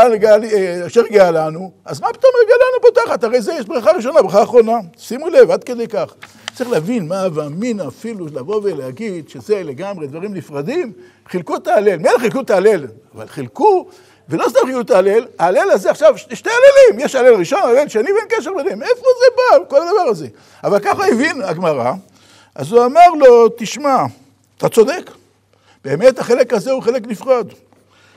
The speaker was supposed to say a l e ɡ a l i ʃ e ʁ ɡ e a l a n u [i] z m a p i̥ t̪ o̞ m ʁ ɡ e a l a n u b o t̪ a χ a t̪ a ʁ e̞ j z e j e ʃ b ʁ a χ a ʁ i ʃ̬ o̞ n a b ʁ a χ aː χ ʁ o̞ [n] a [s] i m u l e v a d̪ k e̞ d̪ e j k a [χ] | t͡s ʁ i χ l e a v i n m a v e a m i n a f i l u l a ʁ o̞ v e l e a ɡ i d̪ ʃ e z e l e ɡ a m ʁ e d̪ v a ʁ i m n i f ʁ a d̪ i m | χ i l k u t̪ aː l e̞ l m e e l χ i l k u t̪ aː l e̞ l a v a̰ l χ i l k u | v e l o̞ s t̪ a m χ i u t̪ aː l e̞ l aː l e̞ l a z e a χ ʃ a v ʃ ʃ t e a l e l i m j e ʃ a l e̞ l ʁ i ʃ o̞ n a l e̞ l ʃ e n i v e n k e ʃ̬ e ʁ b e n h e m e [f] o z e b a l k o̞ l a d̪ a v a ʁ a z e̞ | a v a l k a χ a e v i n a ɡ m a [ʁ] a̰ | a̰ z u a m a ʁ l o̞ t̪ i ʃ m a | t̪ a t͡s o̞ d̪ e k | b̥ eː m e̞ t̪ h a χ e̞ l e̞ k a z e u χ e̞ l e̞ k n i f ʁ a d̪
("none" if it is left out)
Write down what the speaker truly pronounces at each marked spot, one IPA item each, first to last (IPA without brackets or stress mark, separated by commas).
a, n, s, χ, f, ʁ